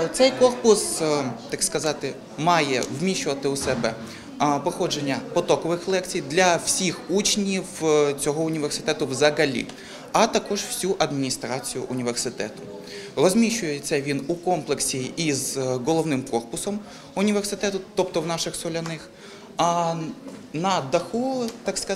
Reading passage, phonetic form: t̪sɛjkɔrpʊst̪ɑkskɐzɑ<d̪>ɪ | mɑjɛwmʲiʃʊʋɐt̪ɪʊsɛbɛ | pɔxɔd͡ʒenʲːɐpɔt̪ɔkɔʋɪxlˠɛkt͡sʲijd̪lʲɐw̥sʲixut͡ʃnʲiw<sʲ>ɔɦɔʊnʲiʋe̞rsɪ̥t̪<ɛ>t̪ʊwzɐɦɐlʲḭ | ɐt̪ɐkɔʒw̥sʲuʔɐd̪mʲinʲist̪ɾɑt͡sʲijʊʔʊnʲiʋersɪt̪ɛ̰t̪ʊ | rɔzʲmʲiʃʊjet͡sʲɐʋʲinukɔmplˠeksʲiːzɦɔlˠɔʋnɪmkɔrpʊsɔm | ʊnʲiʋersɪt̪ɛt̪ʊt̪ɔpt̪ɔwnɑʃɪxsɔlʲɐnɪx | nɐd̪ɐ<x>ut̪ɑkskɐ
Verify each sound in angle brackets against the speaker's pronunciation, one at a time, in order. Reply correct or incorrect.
incorrect, incorrect, correct, correct

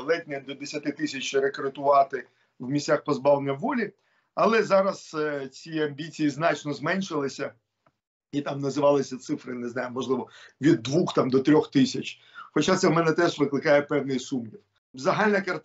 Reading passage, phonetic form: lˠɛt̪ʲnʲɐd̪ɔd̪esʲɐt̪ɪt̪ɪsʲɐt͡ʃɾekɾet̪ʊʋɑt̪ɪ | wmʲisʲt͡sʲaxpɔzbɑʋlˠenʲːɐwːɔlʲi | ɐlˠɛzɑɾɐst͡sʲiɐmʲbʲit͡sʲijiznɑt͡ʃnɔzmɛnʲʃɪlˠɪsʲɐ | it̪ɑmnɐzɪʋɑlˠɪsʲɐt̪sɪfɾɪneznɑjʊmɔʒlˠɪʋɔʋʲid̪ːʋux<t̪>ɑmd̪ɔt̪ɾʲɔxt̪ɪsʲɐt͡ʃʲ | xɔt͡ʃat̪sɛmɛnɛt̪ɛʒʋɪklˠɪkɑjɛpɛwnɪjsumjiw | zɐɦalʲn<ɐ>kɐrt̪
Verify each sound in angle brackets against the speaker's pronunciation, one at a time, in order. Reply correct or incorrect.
correct, correct

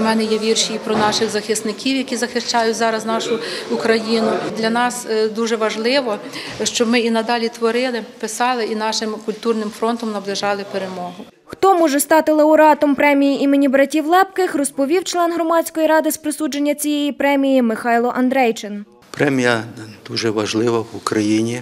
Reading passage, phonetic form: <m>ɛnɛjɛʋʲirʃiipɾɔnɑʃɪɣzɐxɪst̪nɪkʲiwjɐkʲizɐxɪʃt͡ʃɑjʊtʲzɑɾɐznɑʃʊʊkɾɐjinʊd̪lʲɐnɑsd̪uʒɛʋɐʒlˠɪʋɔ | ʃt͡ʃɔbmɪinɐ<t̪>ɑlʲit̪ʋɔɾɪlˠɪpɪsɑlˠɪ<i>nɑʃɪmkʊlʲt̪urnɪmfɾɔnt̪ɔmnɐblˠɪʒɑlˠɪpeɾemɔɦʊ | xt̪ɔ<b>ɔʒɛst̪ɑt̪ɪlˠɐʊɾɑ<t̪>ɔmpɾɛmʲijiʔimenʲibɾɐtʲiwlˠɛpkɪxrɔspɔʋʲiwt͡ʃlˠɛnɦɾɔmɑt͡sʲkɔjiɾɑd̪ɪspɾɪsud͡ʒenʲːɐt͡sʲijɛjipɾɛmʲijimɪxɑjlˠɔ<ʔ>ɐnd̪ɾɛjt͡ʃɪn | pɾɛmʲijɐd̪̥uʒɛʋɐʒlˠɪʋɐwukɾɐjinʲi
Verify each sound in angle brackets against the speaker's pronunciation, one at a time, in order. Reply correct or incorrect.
correct, incorrect, correct, incorrect, correct, correct

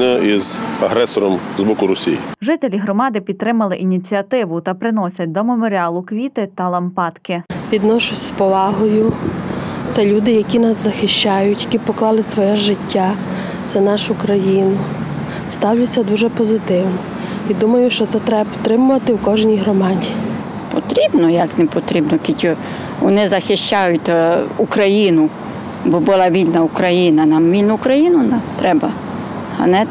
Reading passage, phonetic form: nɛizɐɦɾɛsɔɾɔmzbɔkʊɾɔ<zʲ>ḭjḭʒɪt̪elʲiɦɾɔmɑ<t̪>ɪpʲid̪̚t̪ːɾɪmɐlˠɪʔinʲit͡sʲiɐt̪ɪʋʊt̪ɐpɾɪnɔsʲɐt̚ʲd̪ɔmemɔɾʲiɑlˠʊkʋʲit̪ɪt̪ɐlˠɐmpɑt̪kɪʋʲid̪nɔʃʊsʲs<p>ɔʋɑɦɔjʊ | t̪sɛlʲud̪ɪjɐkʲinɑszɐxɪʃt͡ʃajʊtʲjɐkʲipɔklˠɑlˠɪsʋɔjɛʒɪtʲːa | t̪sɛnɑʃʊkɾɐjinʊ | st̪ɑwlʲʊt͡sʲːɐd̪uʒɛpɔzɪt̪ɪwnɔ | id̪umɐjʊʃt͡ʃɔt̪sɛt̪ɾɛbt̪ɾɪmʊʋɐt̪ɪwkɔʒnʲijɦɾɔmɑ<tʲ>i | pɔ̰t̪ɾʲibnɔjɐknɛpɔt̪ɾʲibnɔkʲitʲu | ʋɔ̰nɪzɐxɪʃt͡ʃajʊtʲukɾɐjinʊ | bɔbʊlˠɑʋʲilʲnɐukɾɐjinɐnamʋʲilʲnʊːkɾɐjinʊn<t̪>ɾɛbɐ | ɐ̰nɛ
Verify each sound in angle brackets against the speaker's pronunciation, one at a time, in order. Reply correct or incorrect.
incorrect, incorrect, correct, incorrect, correct

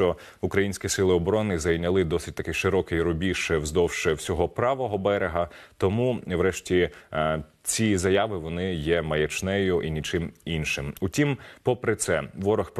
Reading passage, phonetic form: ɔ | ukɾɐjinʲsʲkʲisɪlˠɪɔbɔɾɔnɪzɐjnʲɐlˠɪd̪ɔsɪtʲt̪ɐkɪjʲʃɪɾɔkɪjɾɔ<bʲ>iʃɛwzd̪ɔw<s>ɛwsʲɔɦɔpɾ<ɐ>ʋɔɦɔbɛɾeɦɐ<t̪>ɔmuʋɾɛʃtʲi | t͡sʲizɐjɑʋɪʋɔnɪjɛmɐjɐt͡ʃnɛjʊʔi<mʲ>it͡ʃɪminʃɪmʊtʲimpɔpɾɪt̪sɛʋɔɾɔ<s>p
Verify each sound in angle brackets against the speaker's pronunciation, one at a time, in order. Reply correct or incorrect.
correct, incorrect, incorrect, correct, incorrect, incorrect

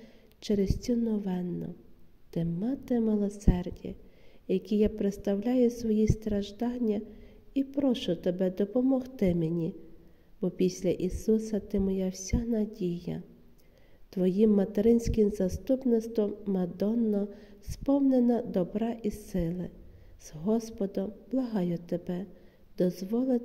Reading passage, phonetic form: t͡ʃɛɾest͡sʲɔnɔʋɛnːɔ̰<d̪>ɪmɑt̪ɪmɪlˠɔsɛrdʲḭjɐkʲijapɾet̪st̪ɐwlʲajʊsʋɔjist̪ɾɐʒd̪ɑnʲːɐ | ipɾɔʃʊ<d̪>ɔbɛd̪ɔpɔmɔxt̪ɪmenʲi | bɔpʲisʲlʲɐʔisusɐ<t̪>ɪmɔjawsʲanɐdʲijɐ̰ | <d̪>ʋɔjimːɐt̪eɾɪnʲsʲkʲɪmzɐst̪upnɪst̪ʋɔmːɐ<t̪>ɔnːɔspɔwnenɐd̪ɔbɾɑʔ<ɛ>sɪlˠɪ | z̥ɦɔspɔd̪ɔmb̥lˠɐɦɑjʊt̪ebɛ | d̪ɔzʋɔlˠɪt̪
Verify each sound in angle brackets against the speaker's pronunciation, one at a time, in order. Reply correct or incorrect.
incorrect, incorrect, correct, incorrect, incorrect, incorrect

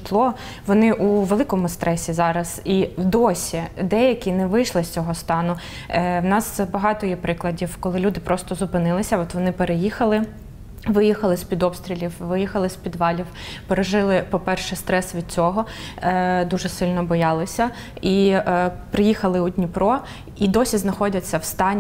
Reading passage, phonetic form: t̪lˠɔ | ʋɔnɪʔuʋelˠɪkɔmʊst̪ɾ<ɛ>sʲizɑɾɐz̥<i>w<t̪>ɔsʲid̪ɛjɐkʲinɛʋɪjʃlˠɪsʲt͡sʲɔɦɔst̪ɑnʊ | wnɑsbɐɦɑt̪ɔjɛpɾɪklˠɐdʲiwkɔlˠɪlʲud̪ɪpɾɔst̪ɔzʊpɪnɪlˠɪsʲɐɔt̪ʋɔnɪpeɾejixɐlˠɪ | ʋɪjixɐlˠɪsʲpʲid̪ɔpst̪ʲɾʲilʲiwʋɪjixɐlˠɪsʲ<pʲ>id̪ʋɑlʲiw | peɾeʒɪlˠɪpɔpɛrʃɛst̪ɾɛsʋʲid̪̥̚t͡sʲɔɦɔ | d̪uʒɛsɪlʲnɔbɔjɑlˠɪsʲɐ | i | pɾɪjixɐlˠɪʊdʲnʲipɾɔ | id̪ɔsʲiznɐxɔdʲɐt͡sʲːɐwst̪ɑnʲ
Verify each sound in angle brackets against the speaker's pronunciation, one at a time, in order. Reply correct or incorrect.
correct, correct, incorrect, correct

